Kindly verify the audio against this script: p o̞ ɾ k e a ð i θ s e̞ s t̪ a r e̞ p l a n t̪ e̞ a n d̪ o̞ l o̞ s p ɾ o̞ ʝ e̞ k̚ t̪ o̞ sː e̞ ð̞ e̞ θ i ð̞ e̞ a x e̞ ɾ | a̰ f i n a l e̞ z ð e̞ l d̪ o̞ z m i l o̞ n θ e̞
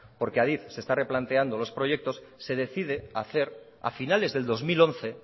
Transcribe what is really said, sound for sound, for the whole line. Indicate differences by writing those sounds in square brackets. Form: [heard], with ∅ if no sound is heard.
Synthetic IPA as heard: p o̞ ɾ k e a ð i θ s e̞ s t̪ a r e̞ p l a n t̪ e̞ a n d̪ o̞ l o̞ s p ɾ o̞ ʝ e̞ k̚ t̪ o̞ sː e̞ ð̞ e̞ θ i ð̞ e̞ a [θ] e̞ ɾ | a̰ f i n a l e̞ z ð e̞ l d̪ o̞ z m i l o̞ n θ e̞